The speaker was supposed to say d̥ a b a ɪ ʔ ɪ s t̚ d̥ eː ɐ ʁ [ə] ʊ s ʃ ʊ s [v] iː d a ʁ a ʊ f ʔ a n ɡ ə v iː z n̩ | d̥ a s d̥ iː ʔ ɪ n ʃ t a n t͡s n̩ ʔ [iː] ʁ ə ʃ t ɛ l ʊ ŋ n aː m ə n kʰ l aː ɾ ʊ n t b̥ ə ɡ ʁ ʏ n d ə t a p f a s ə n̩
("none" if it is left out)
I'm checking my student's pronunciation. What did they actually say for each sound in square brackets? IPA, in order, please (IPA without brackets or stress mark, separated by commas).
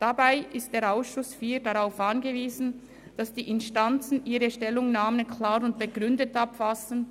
a, f, iː